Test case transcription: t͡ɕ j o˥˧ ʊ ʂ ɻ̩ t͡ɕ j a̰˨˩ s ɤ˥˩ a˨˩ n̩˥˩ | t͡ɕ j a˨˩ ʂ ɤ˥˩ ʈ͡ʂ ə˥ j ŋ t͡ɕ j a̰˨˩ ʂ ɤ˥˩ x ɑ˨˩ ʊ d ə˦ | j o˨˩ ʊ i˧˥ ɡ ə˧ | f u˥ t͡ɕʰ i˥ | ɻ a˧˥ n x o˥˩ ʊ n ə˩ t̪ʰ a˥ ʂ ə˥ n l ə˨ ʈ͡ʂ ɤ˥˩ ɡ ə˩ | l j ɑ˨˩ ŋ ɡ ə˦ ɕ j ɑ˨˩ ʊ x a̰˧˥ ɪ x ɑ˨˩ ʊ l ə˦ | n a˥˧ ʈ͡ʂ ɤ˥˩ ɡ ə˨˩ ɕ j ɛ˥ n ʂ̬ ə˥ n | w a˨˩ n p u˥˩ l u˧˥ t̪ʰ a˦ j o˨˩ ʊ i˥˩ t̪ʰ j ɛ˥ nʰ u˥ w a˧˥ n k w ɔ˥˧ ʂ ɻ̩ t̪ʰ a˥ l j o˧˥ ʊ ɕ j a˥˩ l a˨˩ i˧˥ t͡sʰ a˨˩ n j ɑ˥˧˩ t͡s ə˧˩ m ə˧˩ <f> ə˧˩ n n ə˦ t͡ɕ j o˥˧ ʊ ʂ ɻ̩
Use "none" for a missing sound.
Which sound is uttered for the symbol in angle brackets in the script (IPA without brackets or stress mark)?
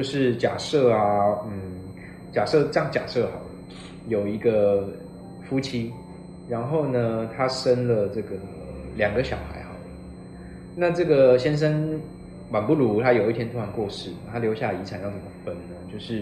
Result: f